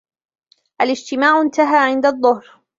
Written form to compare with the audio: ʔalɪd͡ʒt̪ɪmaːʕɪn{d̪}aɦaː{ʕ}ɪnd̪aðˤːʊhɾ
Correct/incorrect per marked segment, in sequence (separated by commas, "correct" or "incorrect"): incorrect, correct